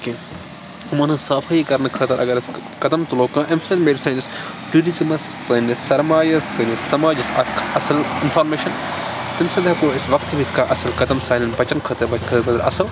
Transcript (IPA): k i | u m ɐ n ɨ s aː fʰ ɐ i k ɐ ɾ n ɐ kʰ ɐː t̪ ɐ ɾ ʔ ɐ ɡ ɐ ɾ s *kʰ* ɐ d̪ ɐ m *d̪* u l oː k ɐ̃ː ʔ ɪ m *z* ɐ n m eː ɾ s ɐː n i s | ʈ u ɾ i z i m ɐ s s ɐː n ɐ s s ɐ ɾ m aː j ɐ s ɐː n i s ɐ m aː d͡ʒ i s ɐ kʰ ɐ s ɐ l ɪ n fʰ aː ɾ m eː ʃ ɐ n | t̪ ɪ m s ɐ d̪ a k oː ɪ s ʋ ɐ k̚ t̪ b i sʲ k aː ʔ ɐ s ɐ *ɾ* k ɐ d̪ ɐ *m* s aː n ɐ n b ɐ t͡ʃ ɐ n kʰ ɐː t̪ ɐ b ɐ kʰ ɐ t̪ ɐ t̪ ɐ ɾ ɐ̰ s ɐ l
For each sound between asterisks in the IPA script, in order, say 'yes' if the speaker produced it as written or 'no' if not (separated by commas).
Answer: no, no, no, no, yes